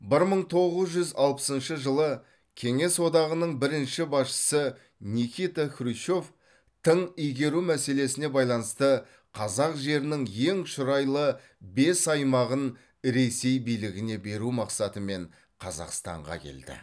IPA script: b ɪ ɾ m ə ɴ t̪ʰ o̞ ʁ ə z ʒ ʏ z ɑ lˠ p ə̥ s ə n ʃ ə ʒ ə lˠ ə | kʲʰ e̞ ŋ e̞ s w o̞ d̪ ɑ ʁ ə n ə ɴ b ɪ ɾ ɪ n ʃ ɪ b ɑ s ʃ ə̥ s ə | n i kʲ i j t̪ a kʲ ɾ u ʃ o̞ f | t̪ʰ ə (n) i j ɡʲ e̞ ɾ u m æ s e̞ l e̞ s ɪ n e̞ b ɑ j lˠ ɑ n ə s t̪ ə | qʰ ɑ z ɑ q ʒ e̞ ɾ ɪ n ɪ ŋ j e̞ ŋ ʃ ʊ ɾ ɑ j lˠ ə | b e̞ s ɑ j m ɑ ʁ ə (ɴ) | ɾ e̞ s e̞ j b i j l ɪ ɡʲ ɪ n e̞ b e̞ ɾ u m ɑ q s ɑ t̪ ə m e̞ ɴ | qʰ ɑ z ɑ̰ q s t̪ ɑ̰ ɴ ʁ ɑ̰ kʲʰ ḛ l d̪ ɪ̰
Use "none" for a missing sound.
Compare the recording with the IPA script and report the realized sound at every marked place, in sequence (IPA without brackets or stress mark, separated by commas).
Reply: ɴ, n